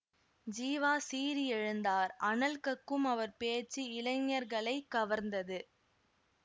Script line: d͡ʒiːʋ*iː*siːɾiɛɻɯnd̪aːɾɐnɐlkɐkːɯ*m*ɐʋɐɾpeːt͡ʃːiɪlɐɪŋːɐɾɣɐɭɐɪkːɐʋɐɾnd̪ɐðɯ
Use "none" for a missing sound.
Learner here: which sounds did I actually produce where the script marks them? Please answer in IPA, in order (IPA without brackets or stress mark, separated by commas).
aː, m